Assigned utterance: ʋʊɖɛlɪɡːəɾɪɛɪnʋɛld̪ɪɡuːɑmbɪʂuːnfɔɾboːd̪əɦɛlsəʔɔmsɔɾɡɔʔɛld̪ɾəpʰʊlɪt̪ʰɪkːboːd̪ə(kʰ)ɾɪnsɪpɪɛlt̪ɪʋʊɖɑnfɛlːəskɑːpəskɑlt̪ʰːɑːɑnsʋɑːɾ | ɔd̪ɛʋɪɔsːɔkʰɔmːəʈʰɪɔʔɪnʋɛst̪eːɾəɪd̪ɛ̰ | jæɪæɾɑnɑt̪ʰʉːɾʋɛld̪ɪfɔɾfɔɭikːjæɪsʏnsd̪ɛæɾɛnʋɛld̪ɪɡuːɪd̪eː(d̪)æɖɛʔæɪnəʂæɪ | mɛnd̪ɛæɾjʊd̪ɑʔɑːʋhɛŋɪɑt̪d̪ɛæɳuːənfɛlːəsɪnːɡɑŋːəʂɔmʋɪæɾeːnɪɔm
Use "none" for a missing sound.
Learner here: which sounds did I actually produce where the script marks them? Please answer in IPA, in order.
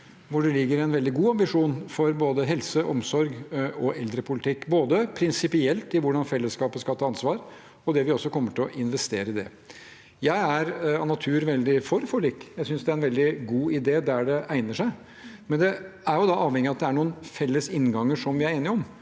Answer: pʰ, d̪

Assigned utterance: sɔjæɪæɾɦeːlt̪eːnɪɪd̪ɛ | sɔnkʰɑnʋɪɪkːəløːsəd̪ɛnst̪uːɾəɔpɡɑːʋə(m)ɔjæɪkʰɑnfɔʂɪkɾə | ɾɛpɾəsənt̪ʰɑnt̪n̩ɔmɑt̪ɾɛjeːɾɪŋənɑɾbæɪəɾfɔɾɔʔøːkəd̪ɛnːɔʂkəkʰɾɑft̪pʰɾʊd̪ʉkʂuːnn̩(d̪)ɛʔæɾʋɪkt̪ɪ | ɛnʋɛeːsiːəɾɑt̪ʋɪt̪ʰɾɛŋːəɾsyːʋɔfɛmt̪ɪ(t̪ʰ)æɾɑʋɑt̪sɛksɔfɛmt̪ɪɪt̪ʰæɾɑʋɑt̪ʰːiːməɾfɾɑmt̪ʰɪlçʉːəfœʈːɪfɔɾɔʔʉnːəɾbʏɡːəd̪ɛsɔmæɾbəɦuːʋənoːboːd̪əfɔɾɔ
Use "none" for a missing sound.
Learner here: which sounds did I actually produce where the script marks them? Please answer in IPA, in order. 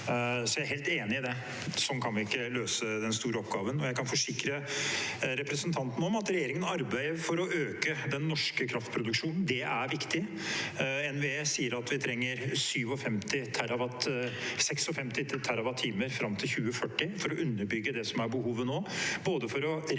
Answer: n, d̪, t̪ʰ

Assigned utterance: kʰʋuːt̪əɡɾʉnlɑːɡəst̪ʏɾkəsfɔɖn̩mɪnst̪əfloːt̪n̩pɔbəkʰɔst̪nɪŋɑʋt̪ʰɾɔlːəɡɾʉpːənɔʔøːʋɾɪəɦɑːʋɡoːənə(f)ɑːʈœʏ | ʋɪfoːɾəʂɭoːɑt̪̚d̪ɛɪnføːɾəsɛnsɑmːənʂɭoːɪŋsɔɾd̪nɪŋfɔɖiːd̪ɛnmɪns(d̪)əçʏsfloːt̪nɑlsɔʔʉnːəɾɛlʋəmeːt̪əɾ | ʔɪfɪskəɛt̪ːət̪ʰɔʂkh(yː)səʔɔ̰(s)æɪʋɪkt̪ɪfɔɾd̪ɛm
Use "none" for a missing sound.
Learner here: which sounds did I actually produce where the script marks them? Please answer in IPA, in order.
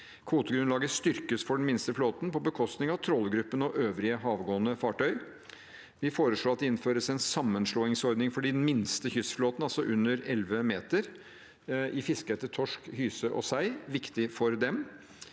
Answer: f, t̪, yː, s

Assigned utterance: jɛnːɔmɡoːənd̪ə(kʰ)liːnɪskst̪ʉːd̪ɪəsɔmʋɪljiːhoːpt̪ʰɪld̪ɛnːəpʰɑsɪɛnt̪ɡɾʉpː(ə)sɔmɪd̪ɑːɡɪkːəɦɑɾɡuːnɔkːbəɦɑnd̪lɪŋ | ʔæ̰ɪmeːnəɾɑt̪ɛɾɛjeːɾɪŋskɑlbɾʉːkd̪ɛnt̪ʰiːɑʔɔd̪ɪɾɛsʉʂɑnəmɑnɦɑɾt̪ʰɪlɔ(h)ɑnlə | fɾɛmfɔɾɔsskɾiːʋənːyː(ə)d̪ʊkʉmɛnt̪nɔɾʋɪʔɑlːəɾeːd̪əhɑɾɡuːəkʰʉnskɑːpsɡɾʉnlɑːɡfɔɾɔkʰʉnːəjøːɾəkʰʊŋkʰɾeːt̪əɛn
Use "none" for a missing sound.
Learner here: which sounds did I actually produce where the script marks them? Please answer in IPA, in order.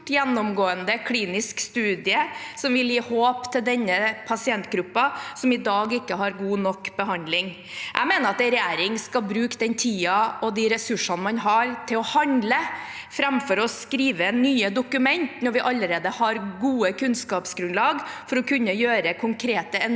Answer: kʰ, ɑ, h, ə

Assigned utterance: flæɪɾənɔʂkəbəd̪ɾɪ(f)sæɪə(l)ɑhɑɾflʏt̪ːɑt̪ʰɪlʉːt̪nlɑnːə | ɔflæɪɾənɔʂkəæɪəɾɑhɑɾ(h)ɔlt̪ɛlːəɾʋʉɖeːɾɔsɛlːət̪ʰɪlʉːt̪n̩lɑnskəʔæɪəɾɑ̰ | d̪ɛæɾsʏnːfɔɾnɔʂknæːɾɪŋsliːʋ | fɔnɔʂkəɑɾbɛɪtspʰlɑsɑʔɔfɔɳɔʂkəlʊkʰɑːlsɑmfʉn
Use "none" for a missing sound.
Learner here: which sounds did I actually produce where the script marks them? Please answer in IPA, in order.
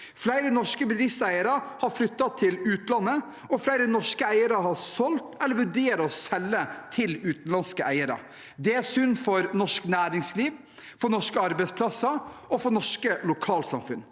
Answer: f, ɾ, s

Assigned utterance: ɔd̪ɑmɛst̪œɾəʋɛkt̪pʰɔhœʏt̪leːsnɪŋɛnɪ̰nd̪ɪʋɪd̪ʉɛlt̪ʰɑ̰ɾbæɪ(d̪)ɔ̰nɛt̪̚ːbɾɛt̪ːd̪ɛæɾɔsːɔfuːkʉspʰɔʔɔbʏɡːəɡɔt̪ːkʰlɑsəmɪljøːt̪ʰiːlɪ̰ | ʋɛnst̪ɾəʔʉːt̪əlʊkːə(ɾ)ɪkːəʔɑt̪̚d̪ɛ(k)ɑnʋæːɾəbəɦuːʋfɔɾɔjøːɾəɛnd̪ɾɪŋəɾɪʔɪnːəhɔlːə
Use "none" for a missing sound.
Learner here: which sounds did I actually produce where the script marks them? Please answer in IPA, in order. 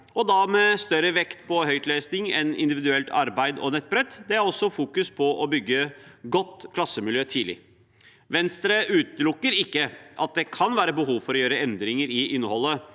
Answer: d̪, ɾ, kʰ

